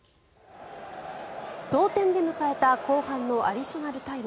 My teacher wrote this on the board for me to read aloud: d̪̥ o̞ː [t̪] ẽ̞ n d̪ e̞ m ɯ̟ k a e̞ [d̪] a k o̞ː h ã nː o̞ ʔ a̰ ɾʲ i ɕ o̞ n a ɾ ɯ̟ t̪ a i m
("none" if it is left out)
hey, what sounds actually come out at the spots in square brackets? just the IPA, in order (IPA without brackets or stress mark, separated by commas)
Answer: t̪, t̪